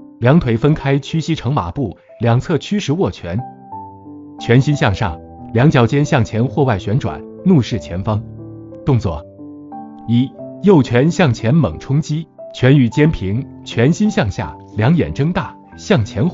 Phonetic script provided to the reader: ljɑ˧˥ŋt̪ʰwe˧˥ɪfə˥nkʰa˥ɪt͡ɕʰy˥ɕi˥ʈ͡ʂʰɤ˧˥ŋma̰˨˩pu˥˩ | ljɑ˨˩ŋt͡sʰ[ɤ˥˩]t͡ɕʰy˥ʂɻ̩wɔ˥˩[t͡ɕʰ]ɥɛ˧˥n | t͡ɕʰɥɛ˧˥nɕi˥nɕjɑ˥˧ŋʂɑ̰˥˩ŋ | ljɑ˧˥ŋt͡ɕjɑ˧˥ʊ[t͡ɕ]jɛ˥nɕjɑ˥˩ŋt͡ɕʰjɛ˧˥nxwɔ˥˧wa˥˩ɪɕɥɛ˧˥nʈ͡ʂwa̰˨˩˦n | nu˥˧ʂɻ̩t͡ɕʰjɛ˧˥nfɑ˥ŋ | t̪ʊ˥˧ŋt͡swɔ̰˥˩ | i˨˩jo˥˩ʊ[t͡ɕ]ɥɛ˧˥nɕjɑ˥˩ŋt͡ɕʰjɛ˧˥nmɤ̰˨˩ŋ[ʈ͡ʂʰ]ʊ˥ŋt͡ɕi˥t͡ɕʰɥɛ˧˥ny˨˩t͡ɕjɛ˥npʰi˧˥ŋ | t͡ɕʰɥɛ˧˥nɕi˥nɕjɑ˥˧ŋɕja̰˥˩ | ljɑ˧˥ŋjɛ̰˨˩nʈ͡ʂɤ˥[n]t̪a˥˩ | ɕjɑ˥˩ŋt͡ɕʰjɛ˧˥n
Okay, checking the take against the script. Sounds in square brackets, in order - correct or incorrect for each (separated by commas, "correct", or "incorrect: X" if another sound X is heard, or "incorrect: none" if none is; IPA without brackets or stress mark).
correct, correct, correct, incorrect: t͡ɕʰ, correct, incorrect: ŋ